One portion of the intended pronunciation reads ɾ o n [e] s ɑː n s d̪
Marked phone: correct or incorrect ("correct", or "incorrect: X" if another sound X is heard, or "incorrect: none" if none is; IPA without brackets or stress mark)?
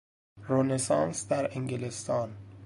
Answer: correct